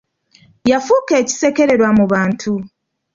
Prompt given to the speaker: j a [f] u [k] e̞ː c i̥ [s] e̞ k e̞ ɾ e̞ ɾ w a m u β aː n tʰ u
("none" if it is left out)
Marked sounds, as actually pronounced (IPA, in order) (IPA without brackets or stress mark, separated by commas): f, k, s